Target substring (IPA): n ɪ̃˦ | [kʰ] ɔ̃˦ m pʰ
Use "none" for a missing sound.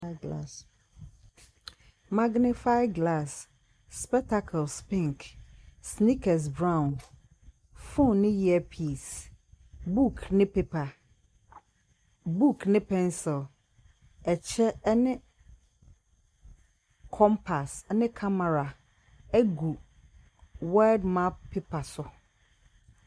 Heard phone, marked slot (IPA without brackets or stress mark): kʰ